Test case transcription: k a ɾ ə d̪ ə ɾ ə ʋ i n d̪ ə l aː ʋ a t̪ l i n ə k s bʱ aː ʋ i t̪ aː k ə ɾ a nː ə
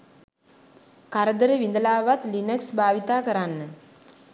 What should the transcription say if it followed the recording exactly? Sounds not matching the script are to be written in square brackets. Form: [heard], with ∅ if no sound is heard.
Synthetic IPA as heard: k a ɾ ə d̪ ə ɾ ə ʋ i n d̪ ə l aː ʋ a t̪ l i n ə k s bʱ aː ʋ i t̪ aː k ə ɾ a nː ə